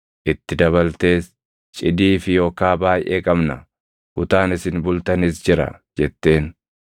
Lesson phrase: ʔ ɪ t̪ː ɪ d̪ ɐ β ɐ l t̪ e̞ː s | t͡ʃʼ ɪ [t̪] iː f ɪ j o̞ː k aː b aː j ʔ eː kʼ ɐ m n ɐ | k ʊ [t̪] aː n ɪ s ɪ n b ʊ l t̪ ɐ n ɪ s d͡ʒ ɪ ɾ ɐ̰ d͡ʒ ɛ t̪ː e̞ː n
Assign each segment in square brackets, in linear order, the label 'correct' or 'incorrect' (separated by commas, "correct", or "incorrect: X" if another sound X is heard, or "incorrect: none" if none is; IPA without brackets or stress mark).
incorrect: d̪, correct